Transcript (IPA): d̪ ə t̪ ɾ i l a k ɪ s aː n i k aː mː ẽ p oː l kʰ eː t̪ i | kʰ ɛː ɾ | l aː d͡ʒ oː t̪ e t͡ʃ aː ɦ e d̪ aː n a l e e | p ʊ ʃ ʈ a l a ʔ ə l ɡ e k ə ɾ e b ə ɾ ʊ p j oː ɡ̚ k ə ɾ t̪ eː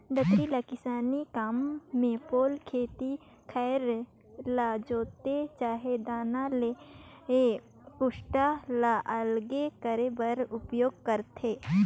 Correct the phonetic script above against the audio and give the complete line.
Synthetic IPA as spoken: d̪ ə t̪ ɾ i l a k ɪ s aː n i k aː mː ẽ p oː l kʰ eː t̪ i | kʰ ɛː ɾ | l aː d͡ʒ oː t̪ e t͡ʃ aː ɦ e d̪ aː n a l e e | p ʊ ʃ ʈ a l a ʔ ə l ɡ e k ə ɾ e b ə ɾ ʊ p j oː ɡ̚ k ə ɾ t̪ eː